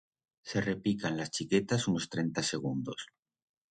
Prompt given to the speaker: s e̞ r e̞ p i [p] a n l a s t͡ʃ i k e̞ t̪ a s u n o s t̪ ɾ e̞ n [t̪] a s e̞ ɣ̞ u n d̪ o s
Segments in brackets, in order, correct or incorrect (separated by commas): incorrect, correct